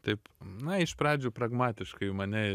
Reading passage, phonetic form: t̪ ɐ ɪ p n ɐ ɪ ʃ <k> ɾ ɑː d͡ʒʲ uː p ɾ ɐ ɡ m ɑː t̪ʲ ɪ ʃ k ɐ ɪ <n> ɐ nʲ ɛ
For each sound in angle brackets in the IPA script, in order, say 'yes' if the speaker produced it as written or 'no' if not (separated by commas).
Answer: no, no